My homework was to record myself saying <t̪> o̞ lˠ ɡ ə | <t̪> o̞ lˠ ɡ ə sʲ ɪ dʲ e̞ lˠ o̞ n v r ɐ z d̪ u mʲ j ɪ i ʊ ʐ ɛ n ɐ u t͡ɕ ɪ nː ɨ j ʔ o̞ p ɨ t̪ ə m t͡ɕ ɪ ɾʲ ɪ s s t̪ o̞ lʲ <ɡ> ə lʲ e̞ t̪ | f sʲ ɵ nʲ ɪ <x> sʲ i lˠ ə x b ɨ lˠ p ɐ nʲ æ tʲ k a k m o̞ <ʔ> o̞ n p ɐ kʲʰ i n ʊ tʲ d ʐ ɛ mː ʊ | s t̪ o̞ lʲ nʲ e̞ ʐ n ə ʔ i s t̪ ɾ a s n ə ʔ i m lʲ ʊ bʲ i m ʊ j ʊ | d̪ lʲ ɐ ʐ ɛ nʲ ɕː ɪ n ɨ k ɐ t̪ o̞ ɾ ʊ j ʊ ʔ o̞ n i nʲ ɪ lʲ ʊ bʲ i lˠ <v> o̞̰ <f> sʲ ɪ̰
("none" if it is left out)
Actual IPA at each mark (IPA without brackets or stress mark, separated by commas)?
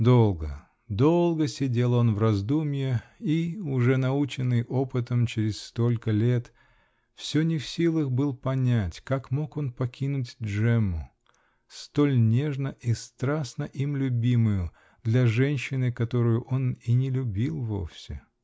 d̪, d̪, k, f, k, v, f